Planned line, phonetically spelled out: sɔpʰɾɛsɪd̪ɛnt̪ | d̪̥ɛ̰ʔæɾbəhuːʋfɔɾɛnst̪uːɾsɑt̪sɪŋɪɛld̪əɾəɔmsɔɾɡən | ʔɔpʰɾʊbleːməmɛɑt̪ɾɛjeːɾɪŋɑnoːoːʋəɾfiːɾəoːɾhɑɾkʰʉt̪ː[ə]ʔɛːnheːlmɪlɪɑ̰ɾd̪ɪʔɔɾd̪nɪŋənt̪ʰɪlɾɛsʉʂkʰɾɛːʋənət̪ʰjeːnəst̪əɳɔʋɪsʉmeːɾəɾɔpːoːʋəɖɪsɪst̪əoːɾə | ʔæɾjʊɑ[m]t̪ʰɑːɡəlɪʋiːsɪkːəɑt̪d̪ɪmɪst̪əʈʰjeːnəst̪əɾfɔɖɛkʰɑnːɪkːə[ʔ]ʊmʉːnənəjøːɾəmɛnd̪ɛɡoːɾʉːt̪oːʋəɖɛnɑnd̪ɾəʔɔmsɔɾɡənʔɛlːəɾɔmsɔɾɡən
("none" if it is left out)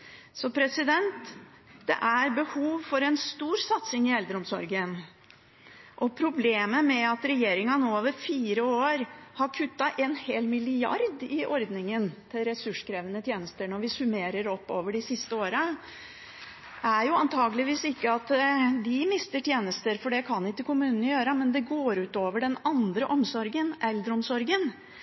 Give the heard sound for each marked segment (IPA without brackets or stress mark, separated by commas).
ɑ, n, k